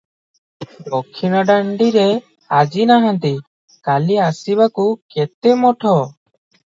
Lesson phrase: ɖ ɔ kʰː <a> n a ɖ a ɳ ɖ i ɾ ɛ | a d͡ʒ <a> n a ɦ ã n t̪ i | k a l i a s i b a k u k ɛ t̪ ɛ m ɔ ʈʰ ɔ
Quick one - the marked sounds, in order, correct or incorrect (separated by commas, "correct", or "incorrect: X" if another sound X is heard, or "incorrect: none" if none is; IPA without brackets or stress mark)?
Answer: incorrect: i, incorrect: i